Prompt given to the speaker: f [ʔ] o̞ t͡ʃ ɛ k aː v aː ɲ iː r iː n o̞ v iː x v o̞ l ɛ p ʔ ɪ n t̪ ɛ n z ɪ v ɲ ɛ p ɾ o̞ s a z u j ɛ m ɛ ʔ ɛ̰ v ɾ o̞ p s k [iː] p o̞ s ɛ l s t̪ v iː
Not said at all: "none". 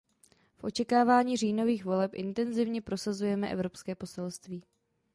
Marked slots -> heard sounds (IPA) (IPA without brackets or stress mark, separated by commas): ʔ, ɛː